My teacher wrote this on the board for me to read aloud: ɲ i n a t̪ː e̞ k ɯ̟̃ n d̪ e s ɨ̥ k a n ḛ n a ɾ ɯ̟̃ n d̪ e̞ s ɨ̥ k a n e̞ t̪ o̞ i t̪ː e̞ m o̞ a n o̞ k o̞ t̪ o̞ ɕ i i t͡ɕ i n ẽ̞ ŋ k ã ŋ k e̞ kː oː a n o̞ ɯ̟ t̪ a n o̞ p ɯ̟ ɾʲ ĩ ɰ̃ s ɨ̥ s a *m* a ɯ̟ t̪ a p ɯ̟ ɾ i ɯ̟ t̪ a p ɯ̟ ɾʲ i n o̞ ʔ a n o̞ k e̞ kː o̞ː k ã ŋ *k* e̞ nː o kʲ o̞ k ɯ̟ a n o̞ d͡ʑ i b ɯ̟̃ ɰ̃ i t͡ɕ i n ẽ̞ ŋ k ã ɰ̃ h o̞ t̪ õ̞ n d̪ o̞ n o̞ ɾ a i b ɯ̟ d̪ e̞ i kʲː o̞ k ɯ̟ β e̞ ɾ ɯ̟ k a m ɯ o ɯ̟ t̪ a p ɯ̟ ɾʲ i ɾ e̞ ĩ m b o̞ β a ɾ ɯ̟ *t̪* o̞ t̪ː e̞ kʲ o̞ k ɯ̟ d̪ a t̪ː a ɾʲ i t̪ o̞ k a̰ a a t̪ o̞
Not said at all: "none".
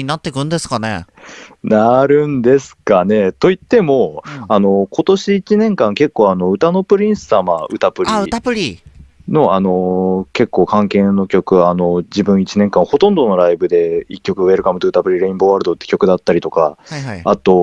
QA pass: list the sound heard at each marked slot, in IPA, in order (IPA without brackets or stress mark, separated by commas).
m, k, d̪